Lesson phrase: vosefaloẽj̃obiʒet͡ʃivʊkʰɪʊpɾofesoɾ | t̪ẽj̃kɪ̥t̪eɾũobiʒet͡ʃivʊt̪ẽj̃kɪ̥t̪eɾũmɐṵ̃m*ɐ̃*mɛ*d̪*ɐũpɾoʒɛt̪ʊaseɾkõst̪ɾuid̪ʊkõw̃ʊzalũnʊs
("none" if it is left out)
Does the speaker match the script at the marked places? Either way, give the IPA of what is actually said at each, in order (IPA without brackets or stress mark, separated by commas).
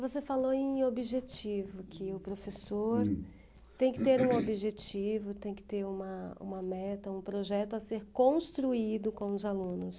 ɐ, t̪